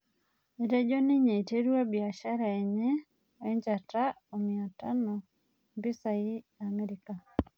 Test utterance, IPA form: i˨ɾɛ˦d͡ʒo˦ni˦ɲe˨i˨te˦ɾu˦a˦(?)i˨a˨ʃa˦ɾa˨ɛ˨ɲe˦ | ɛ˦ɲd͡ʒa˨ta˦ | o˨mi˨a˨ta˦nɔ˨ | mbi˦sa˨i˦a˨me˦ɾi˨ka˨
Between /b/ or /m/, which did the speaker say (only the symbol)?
b